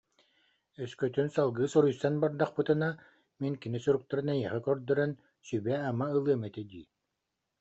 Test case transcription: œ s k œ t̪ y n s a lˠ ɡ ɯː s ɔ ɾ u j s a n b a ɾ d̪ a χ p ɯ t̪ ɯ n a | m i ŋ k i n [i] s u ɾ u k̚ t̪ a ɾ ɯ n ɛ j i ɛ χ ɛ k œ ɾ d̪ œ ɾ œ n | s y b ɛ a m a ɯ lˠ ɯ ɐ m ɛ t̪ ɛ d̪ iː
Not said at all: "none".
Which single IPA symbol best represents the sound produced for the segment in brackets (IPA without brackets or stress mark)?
i